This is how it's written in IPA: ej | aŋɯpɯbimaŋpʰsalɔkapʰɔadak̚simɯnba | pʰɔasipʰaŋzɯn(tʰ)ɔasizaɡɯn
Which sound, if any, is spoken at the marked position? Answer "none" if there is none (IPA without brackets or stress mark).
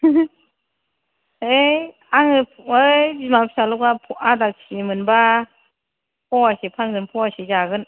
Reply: pʰ